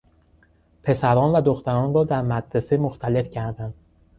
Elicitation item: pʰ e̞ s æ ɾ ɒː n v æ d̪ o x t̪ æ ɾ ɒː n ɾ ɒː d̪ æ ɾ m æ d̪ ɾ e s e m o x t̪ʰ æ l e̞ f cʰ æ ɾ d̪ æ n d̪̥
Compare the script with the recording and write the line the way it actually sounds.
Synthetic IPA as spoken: pʰ e̞ s æ ɾ ɒː n v æ d̪ o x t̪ æ ɾ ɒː n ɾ ɒː d̪ æ ɾ m æ d̪ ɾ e s e m o x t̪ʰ æ l e̞ f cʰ æ ɾ d̪ æ n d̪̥